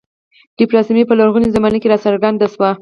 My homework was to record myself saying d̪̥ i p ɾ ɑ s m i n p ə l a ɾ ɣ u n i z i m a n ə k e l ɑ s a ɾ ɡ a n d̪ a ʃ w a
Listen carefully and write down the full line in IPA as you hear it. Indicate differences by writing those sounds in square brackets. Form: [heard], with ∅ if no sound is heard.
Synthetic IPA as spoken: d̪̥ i p ɾ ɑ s m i [∅] p ə l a ɾ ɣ u n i z [a] m a n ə k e [ɾ] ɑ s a ɾ ɡ a n d̪ a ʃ w a